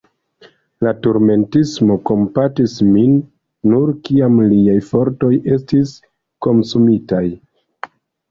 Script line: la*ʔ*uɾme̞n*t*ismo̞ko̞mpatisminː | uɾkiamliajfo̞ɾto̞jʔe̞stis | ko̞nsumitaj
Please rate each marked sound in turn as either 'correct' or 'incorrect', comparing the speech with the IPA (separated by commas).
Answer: incorrect, correct